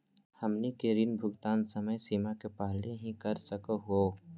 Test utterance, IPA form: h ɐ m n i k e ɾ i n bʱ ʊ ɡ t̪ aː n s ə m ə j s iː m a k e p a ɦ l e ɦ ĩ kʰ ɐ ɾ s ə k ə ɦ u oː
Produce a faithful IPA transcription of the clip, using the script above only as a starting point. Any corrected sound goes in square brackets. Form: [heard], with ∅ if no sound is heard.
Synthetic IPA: h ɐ m n i k e ɾ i n bʱ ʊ ɡ t̪ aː n s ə m ə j s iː m a k e p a ɦ l e ɦ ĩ [k] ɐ ɾ s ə k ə ɦ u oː

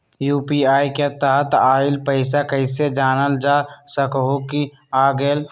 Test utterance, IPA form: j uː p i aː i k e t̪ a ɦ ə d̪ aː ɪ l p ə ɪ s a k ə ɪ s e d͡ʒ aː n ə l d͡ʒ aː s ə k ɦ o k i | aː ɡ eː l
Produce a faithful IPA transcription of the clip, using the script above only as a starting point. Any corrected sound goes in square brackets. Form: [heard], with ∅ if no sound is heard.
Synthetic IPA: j uː p i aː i k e t̪ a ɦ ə [t̪] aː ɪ l p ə ɪ s a k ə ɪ s e d͡ʒ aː n ə l d͡ʒ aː s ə k ɦ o k i | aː ɡ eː l

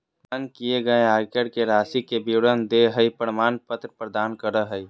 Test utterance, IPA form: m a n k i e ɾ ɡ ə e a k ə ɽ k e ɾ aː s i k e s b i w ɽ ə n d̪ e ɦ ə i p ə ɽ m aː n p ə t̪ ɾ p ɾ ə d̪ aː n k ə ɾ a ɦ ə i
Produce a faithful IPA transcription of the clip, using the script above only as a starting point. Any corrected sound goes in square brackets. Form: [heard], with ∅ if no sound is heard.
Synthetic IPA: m a n k i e [∅] ɡ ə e a k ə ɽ k e ɾ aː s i k e [∅] b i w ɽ ə n d̪ e ɦ ə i p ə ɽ m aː n p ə t̪ ɾ p ɾ ə d̪ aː n k ə ɾ [ə] ɦ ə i

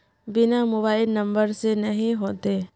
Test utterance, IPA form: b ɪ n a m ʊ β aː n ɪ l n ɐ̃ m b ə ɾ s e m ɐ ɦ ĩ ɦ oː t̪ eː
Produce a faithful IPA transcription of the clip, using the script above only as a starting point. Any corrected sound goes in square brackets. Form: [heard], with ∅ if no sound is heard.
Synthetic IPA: b ɪ n a m ʊ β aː [∅] ɪ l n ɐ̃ m b ə ɾ s e [n] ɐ ɦ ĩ ɦ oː t̪ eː

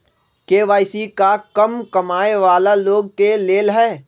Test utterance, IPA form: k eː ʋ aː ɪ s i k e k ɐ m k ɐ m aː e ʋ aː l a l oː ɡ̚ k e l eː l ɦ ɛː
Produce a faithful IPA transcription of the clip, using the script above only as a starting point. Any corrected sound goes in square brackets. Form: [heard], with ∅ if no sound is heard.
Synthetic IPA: k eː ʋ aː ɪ s i k [a] k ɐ m k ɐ m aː e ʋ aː l a l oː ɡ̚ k e l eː l ɦ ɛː

